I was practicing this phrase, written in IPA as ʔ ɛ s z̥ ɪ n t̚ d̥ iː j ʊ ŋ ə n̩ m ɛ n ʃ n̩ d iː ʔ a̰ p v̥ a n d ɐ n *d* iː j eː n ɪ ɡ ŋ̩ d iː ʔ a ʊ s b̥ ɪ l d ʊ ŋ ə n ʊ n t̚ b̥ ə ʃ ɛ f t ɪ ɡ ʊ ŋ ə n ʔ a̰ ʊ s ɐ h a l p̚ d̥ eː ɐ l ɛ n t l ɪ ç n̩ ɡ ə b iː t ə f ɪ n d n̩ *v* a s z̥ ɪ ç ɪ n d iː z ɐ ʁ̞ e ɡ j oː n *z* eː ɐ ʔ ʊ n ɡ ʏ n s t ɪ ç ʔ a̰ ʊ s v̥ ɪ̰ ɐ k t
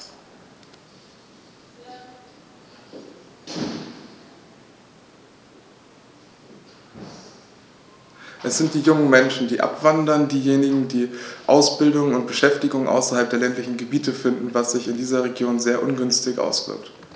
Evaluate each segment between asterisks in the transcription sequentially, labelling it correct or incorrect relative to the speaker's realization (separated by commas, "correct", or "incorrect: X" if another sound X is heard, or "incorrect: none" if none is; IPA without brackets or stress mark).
correct, correct, correct